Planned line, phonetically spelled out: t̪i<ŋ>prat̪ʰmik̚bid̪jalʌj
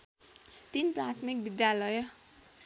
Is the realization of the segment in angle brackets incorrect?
yes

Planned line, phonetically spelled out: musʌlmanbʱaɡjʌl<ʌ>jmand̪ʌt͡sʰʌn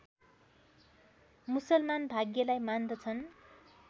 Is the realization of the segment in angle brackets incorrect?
yes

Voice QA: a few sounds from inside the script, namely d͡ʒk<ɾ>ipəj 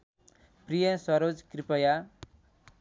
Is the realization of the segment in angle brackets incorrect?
no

